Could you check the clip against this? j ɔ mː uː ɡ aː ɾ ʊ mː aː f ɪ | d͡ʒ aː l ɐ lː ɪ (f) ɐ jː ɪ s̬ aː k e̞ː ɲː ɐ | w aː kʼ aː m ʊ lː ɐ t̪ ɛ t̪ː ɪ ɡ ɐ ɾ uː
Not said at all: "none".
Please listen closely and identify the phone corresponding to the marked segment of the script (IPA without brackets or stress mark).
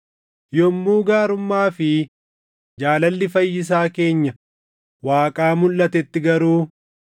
f